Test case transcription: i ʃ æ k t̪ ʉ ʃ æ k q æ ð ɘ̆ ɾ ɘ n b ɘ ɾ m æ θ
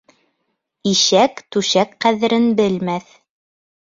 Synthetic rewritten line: i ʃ æ k t̪ ʉ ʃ æ k q æ ð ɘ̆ ɾ ɘ n b ɘ l m æ θ

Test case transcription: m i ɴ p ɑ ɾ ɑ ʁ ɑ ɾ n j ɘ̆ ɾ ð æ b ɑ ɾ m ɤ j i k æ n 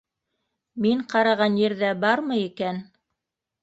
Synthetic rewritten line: m i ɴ q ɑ ɾ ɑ ʁ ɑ n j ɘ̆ ɾ ð æ b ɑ ɾ m ɤ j i k æ n

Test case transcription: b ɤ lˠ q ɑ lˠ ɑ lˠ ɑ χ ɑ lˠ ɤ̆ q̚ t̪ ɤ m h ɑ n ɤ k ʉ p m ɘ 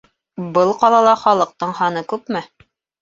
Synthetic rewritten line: b ɤ lˠ q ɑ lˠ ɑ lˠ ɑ χ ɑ lˠ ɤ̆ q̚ t̪ ɤ ɴ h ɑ n ɤ k ʉ p m ɘ

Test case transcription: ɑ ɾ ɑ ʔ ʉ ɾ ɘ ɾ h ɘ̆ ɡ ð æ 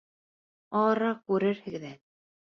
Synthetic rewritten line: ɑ ɾ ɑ k ʉ ɾ ɘ ɾ h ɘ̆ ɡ ð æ

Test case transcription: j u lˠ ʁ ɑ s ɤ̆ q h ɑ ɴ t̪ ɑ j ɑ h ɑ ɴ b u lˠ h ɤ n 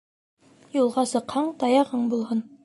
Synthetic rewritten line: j u lˠ ʁ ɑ s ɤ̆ q h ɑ ɴ t̪ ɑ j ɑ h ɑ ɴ b u lˠ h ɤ n

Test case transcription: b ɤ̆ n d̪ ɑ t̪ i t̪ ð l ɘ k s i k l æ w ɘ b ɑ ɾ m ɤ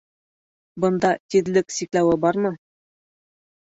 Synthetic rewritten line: b ɤ̆ n d̪ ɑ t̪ i ð l ɘ k s i k l æ w ɘ b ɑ ɾ m ɤ

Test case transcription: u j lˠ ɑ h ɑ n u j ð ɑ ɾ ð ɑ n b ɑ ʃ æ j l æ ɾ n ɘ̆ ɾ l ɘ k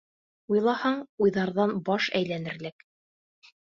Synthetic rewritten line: u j lˠ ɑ h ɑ ɴ u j ð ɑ ɾ ð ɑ n b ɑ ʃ æ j l æ n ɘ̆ ɾ l ɘ k

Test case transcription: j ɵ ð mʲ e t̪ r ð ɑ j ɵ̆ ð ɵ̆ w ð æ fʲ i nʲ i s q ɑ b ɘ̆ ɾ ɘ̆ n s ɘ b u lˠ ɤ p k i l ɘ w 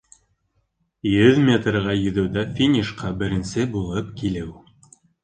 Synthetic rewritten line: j ɵ ð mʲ e t̪ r ʁ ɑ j ɵ̆ ð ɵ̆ w ð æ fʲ i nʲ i ʃ q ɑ b ɘ̆ ɾ ɘ̆ n s ɘ b u lˠ ɤ p k i l ɘ w

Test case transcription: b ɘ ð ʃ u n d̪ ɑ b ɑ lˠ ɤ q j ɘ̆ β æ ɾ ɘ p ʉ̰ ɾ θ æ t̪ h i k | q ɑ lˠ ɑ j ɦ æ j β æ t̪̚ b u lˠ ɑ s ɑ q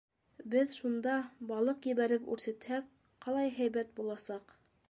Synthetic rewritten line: b ɘ ð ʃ u n d̪ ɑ b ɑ lˠ ɤ q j ɘ̆ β æ ɾ ɘ p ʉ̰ ɾ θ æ t̪ h æ k | q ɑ lˠ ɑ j ɦ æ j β æ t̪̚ b u lˠ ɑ s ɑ q

